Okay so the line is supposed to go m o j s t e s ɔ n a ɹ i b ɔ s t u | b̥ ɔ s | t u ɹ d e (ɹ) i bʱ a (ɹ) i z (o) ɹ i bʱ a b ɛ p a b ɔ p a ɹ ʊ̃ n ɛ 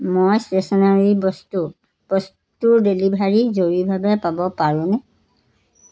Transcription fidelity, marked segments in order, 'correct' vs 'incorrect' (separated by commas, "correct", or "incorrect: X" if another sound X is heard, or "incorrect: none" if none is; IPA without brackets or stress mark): incorrect: l, correct, correct